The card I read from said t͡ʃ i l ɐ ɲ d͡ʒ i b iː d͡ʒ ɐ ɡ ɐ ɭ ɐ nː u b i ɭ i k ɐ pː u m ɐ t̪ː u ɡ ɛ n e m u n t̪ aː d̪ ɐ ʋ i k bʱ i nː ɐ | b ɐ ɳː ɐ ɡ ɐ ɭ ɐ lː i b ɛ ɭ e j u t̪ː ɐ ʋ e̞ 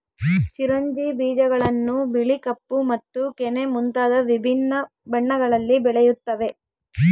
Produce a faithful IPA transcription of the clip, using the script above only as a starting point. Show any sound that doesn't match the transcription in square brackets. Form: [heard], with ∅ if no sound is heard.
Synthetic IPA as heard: t͡ʃ i [ɾ] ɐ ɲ d͡ʒ i b iː d͡ʒ ɐ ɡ ɐ ɭ ɐ nː u b i ɭ i k ɐ pː u m ɐ t̪ː u [k] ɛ n e m u n t̪ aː d̪ ɐ ʋ i [∅] bʱ i nː ɐ | b ɐ ɳː ɐ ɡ ɐ ɭ ɐ lː i b ɛ ɭ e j u t̪ː ɐ ʋ e̞